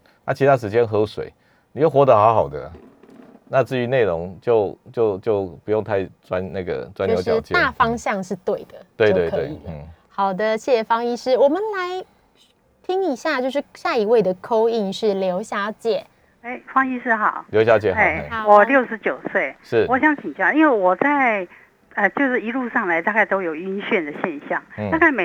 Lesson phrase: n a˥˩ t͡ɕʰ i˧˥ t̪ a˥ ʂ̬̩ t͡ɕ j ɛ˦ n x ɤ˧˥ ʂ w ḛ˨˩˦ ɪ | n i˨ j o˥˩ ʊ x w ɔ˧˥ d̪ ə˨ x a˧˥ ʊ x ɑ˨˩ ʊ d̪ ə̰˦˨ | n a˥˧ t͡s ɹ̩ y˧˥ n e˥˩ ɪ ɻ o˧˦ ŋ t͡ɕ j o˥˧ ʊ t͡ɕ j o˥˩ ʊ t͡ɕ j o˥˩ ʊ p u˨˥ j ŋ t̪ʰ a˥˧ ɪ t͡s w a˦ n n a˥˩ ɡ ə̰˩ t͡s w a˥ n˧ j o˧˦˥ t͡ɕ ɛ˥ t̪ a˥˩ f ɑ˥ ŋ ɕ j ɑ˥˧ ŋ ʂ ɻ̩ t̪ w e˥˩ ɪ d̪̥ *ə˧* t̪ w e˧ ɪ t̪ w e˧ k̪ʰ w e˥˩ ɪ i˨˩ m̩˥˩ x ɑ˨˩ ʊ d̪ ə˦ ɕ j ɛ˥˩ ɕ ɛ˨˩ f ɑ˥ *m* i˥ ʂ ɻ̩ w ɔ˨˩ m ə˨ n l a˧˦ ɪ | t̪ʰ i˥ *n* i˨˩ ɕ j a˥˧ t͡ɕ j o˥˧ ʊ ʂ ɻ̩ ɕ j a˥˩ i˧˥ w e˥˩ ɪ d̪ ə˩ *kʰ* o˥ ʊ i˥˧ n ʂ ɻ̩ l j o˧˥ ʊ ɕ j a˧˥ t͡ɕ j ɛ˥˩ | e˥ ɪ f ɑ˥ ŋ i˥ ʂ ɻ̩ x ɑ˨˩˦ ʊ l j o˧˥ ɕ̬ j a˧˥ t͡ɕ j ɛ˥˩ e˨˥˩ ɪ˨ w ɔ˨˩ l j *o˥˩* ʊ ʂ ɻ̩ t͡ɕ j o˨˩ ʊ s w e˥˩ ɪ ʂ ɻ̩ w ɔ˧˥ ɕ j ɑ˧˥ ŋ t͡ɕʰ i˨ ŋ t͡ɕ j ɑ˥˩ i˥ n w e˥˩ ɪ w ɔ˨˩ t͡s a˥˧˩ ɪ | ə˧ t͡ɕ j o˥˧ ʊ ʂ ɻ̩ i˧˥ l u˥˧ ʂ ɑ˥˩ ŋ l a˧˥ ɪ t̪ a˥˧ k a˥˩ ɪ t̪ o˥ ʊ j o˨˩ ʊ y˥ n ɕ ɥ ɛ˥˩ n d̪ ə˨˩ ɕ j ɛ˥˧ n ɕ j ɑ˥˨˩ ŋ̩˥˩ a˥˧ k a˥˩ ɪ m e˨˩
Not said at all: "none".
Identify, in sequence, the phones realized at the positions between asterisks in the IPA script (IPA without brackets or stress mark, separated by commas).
ə˩, ŋ, ŋ, kʰ, o˥˩